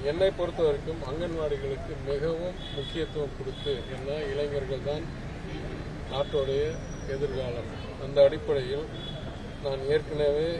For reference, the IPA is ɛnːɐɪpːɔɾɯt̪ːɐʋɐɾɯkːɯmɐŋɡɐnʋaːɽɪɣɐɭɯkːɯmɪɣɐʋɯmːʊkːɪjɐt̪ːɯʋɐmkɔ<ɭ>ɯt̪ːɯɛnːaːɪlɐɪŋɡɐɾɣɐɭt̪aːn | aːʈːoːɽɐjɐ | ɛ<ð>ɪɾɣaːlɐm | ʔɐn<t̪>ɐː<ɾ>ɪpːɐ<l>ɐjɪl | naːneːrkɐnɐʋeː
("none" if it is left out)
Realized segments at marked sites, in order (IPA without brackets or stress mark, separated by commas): ɽ, ð, d̪, ɽ, ɽ